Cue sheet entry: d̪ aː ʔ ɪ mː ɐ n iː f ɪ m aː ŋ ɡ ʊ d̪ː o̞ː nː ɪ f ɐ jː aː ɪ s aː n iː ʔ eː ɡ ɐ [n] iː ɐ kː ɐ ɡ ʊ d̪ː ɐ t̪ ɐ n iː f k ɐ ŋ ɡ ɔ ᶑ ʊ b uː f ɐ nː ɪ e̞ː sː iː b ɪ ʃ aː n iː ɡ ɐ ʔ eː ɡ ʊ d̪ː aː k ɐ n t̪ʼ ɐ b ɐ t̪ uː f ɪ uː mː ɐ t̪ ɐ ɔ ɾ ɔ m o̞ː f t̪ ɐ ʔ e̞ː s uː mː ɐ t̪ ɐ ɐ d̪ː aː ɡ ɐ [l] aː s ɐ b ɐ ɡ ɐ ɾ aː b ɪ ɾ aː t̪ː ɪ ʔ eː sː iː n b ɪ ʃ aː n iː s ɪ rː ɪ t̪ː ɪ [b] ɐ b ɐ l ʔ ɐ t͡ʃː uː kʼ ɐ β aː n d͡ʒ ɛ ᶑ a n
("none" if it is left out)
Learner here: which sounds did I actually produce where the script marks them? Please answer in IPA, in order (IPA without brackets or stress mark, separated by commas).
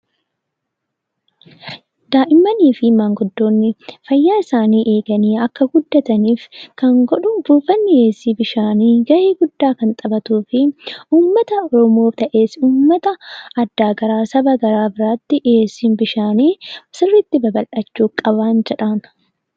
n, ɾ, b